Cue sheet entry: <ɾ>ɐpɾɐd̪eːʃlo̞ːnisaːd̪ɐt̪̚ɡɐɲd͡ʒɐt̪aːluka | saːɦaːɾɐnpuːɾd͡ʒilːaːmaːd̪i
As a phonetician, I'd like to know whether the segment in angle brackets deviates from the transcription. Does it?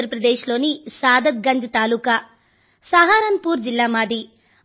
no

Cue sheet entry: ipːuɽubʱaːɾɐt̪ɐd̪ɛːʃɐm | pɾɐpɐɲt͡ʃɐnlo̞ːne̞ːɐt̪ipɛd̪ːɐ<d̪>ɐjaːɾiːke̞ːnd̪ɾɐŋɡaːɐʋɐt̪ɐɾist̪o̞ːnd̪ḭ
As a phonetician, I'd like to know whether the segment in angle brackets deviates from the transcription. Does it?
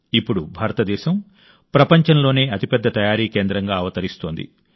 yes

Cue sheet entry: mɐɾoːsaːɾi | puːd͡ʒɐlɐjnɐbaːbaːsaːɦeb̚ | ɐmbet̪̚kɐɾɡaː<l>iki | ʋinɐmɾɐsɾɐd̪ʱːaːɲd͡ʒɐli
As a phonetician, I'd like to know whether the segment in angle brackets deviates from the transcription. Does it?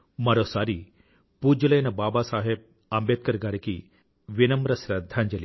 yes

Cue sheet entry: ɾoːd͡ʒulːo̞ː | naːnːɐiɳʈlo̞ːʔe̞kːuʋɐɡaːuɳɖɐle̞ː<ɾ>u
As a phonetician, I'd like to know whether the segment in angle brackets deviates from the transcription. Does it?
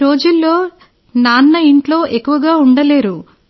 no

